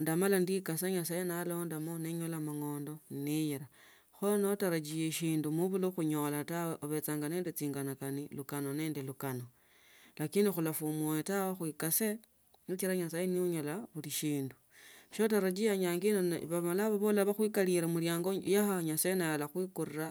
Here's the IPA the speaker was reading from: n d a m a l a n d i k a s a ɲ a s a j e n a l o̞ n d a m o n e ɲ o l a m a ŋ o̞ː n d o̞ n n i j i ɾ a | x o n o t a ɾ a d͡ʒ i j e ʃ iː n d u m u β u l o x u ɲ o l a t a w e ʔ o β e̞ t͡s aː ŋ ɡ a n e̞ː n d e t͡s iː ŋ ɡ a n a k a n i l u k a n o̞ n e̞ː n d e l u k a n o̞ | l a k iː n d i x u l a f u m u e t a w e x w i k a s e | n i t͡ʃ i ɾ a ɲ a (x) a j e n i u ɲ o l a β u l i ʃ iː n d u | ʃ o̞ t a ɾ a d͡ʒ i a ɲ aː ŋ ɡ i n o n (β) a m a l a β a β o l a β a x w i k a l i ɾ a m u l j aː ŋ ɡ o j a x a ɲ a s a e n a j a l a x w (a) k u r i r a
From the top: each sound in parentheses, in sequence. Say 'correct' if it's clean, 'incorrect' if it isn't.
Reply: incorrect, correct, incorrect

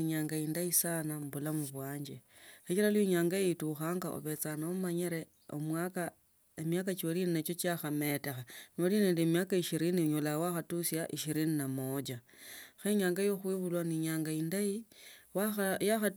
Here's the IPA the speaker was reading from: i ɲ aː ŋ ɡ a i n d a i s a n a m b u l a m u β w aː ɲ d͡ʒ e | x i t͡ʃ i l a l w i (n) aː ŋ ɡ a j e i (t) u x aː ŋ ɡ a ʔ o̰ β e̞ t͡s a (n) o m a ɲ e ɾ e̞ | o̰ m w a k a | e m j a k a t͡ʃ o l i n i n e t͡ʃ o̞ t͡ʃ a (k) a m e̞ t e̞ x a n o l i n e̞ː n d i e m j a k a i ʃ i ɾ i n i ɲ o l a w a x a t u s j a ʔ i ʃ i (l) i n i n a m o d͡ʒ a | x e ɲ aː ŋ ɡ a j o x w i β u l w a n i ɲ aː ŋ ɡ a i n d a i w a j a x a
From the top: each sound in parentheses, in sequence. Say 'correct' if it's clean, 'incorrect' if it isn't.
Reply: incorrect, correct, correct, incorrect, incorrect

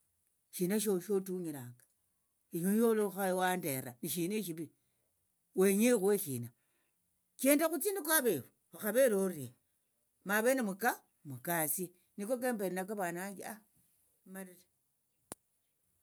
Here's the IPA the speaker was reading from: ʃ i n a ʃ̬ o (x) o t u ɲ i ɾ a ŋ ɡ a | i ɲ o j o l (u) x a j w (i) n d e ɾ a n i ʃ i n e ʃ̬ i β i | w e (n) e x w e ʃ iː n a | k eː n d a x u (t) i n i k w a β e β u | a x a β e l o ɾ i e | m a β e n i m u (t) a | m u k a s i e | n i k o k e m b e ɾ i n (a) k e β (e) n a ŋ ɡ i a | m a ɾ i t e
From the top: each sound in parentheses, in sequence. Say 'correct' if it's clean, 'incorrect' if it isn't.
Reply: incorrect, incorrect, incorrect, incorrect, incorrect, incorrect, correct, incorrect

